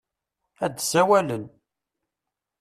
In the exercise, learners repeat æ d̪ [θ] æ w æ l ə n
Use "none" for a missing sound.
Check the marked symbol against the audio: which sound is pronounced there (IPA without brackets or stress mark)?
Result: s